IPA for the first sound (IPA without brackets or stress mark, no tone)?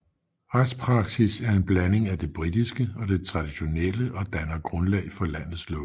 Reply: ʁ